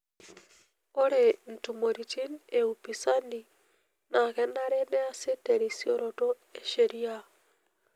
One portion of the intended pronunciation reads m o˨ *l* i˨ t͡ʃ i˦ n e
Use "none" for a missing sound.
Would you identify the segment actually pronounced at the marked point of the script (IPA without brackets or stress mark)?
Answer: ɾ